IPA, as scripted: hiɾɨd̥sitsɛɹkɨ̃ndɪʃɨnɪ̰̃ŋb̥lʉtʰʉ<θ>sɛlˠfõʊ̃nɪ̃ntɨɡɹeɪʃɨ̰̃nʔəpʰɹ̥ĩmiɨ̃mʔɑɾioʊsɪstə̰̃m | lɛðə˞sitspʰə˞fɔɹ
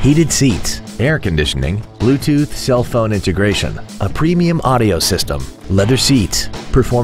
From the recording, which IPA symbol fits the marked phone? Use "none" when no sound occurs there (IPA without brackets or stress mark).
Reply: θ